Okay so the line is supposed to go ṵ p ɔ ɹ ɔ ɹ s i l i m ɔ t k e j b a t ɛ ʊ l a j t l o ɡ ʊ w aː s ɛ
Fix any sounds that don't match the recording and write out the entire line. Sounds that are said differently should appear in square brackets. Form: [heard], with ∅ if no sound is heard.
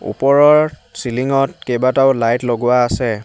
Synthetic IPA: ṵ p ɔ ɹ ɔ ɹ s i l i [ŋ] ɔ t k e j b a t [a] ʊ l a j t l o ɡ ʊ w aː s ɛ